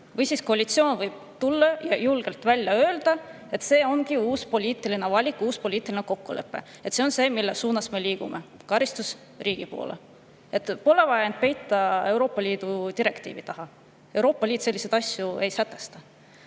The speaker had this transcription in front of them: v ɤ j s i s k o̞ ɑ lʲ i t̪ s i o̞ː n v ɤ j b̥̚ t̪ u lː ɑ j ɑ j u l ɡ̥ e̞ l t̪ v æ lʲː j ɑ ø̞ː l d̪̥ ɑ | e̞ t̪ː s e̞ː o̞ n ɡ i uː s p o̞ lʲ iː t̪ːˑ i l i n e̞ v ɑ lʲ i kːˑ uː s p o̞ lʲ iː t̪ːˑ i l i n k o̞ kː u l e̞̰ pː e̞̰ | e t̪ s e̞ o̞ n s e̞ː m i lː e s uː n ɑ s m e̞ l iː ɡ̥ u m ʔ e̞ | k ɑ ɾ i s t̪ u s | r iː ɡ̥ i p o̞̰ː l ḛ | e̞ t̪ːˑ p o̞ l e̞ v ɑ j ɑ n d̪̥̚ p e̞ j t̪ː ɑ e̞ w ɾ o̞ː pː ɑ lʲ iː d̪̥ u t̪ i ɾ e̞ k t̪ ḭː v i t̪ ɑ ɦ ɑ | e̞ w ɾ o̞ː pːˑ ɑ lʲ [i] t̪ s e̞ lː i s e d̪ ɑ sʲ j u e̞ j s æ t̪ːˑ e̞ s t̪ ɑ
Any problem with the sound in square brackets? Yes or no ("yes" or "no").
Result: yes